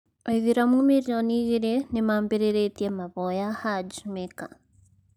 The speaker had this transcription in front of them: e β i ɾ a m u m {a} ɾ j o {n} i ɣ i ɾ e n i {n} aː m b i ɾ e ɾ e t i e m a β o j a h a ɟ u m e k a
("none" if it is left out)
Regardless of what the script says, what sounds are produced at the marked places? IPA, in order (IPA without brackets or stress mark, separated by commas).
i, n, m